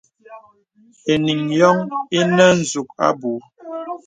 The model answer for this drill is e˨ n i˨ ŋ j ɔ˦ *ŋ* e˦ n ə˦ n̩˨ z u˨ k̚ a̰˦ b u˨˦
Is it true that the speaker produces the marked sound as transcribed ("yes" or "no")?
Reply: yes